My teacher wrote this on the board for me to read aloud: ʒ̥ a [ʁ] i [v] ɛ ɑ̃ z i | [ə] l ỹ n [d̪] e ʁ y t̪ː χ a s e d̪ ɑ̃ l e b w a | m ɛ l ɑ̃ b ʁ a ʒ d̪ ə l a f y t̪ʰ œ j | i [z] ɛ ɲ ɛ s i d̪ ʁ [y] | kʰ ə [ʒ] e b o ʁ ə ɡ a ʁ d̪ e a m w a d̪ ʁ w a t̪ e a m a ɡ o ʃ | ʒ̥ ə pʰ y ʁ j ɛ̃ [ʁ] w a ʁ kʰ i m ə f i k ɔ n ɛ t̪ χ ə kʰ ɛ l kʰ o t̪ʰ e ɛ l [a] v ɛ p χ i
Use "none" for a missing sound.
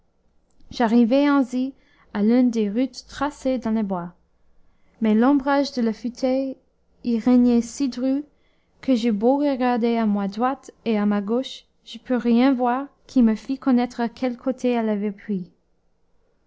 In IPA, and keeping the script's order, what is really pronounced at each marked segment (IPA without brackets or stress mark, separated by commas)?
ʁ, v, a, d̪, ʁ, y, ʒ, v, a